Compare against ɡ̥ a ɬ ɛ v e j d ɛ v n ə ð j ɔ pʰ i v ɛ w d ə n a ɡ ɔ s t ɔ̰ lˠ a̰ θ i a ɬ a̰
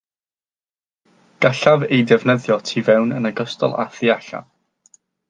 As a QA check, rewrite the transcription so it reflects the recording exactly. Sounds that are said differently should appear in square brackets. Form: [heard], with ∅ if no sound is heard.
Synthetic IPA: ɡ̥ a ɬ [a] v e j d ɛ v n ə ð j ɔ [tʰ] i v ɛ w [n] ə n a ɡ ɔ s t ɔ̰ lˠ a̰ θ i a ɬ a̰